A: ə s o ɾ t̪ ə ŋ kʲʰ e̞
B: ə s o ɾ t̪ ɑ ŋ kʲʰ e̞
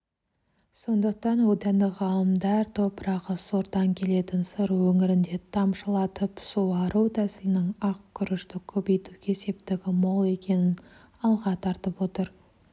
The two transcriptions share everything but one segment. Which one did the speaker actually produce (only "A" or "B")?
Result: B